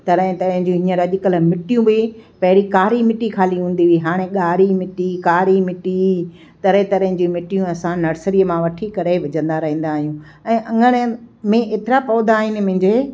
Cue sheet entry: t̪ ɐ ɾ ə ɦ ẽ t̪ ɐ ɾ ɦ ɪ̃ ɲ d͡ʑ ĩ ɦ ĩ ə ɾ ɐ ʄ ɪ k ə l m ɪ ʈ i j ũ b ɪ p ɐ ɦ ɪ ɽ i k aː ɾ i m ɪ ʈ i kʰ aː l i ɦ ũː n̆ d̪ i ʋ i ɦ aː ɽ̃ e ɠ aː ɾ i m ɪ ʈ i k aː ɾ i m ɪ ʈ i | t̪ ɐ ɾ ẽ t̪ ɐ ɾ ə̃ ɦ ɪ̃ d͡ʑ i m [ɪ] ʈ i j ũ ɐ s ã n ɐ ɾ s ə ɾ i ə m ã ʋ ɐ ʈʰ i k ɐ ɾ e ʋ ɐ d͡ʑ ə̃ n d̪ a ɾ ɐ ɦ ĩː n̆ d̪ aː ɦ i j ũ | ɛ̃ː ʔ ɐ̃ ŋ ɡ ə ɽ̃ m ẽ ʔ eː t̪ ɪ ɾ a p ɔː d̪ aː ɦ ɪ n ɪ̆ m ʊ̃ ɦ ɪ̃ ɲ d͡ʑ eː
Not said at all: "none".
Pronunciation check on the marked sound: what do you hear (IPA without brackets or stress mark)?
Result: ɪ